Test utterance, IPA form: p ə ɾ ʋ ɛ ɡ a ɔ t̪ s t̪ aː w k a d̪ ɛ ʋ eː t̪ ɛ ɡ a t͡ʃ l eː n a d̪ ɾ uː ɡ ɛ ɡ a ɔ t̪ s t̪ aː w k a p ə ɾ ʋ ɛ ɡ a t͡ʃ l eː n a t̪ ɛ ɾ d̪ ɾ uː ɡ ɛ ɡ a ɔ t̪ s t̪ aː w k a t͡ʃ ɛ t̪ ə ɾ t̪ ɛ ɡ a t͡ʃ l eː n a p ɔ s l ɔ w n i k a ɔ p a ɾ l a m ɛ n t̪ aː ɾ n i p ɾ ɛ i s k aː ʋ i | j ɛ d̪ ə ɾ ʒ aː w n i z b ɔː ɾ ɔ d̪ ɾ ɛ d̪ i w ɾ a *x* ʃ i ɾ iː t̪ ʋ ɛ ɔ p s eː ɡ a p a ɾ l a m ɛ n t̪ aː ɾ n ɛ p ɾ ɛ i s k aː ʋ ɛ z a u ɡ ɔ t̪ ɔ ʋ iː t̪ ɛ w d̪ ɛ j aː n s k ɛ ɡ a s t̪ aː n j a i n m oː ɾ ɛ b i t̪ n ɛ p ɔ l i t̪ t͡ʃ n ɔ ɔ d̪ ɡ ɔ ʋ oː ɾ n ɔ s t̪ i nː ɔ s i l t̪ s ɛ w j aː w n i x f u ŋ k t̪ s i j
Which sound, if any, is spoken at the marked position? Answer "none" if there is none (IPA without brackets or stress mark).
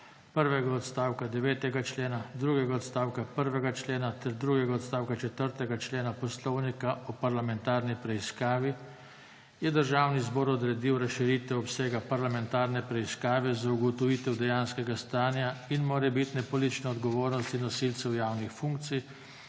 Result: s